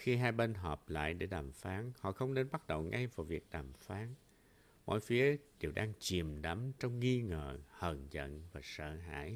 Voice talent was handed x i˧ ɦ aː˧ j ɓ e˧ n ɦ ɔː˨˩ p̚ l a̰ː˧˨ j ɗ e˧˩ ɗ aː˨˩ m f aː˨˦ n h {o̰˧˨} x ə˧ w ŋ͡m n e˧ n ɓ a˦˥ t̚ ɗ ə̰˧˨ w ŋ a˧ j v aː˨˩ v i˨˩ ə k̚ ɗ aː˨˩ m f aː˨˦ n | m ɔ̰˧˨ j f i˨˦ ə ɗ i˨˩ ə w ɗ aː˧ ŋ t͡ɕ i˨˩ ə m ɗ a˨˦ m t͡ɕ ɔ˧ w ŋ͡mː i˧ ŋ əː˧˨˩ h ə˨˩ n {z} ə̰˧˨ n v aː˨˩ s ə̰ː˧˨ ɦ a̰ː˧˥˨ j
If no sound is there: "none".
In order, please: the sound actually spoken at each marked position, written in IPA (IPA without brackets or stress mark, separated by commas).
ɔ̰˧˨, z